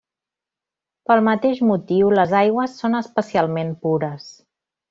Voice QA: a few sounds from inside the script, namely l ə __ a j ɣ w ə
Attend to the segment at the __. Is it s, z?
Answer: z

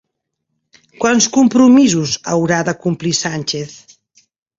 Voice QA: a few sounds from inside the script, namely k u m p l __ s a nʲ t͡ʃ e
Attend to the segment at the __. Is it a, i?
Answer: i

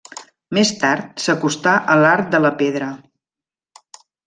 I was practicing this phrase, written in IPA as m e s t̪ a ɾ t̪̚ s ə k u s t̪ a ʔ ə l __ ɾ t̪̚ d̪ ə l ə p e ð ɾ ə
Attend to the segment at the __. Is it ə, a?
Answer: a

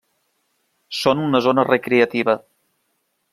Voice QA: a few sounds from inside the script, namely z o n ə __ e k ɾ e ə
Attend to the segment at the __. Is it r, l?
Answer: r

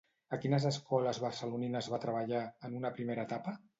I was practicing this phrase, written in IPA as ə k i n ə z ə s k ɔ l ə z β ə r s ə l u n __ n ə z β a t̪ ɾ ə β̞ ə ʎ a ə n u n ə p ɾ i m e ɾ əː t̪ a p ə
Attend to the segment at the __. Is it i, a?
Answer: i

